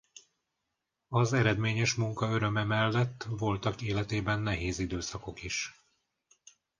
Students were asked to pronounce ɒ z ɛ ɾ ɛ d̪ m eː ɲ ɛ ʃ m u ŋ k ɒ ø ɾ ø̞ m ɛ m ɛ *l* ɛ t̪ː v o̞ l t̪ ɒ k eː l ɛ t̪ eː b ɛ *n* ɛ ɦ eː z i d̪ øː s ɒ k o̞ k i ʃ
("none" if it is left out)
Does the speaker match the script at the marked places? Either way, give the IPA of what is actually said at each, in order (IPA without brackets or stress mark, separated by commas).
lː, nː